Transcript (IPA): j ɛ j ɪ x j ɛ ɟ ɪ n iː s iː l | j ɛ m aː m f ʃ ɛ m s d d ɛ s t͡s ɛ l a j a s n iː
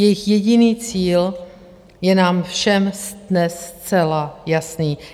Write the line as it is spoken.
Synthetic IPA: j ɛ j ɪ x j ɛ ɟ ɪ n iː t͡s iː l | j ɛ n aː m f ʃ ɛ m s d n ɛ s t͡s ɛ l a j a s n iː